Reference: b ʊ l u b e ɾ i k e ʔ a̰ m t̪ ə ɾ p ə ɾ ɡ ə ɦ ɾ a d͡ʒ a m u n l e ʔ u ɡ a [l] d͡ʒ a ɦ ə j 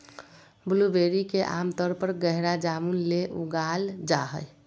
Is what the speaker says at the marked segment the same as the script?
yes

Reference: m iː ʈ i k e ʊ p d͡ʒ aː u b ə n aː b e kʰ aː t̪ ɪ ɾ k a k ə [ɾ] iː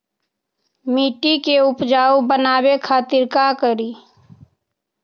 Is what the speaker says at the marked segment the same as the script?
yes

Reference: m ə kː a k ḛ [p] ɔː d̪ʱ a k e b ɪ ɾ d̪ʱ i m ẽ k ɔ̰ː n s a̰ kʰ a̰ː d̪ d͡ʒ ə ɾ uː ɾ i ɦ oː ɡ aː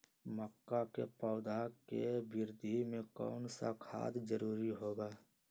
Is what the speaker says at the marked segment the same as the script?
yes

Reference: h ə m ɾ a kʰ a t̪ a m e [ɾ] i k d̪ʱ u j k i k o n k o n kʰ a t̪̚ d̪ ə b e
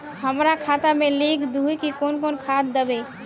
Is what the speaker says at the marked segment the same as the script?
no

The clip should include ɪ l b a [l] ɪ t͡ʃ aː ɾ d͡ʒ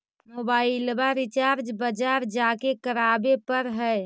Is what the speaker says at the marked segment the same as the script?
no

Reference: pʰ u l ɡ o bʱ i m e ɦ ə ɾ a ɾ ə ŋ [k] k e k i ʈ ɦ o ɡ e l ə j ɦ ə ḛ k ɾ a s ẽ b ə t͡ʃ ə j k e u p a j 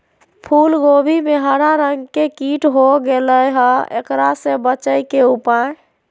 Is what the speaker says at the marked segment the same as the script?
no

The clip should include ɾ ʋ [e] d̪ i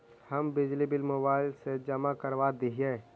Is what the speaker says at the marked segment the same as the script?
no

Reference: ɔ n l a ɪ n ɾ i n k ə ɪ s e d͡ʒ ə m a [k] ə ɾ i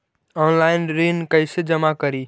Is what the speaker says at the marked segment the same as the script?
yes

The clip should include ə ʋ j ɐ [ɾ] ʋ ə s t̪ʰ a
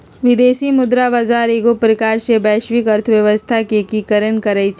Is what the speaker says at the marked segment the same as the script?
no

